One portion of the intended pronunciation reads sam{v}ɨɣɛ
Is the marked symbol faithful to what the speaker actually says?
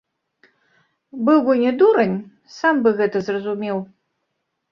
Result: no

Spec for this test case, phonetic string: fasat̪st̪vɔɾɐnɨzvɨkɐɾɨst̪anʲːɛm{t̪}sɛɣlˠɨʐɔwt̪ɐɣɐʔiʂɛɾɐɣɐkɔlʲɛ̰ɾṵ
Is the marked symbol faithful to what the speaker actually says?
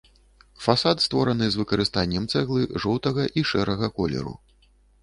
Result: yes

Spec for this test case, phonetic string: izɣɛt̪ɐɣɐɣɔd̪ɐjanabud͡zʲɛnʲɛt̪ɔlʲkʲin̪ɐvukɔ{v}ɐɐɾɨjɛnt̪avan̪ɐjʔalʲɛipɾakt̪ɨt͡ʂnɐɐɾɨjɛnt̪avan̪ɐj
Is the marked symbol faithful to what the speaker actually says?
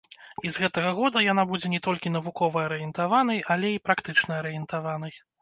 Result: yes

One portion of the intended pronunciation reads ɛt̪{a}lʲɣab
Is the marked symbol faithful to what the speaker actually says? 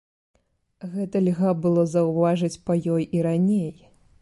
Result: no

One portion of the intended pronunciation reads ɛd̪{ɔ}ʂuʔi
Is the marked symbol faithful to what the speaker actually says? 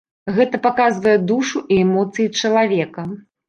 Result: no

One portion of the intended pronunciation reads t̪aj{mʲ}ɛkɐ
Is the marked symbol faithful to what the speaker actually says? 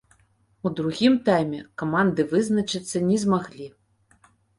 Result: yes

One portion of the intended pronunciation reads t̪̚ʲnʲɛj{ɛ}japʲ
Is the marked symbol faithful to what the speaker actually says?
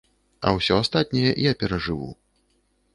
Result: yes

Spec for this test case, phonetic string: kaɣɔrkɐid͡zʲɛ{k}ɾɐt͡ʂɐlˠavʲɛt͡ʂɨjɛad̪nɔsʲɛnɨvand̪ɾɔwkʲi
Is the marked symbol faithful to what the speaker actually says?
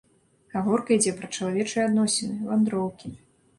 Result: no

